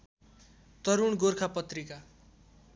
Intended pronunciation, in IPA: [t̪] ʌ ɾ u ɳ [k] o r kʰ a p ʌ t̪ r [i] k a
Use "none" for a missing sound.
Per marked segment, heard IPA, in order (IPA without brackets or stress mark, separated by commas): t̪, ɡ, i